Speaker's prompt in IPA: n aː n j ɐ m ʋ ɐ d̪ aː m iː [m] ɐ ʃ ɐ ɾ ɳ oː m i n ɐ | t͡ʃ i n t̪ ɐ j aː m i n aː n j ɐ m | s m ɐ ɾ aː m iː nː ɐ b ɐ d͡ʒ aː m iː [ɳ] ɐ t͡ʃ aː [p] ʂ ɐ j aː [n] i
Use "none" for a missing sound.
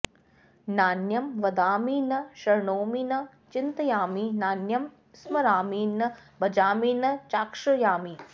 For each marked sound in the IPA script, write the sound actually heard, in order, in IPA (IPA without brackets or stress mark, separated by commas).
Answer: n, n, k, m